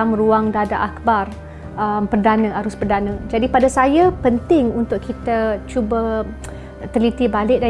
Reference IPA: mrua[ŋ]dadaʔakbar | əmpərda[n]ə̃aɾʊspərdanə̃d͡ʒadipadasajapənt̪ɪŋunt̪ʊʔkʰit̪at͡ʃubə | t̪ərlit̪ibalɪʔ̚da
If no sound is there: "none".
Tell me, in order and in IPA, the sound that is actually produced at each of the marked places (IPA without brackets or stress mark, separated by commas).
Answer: ŋ, n